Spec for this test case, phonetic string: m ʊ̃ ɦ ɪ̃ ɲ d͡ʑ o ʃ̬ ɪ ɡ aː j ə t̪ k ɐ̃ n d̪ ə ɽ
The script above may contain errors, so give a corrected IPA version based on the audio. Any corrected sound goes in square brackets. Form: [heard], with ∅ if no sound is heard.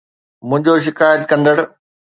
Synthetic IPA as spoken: m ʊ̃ ɦ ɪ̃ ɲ d͡ʑ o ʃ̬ ɪ [k] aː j ə t̪ k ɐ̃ n d̪ ə ɽ